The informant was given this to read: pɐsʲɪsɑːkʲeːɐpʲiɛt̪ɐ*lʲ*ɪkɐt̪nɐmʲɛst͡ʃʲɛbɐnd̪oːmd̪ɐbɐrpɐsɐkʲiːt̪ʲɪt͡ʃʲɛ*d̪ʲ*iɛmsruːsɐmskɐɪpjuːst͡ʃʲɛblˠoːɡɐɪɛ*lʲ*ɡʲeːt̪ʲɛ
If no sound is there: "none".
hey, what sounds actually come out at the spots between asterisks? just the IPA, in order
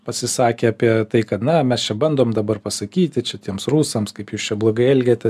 none, t̪ʲ, lʲ

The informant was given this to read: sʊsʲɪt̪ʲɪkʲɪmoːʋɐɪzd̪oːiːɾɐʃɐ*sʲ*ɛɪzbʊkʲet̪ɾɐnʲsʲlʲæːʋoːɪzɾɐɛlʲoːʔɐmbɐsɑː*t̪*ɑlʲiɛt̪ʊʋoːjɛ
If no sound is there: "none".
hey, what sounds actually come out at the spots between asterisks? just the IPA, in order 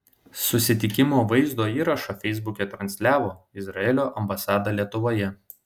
fʲ, d̪

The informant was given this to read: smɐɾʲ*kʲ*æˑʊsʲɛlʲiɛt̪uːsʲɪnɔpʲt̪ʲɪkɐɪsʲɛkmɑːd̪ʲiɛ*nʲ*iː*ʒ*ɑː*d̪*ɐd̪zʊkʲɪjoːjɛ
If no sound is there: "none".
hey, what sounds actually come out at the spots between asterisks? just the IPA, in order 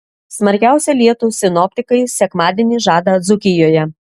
kʲ, nʲ, ʒ, d̪

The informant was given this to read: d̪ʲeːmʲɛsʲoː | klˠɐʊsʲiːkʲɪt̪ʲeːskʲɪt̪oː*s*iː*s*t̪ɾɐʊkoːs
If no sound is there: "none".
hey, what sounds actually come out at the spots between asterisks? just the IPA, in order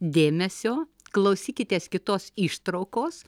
s, ʃ

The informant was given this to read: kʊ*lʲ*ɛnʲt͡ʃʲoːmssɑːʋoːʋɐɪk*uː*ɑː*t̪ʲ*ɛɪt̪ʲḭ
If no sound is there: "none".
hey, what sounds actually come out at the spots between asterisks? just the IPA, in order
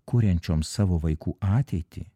ɾʲ, uː, t̪ʲ

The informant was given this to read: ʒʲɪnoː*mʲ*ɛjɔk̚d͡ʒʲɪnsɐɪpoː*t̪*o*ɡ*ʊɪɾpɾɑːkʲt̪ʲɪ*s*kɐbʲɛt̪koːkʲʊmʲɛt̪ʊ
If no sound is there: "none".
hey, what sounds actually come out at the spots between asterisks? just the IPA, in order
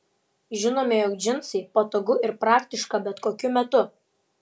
mʲ, t̪, ɡ, ʃ

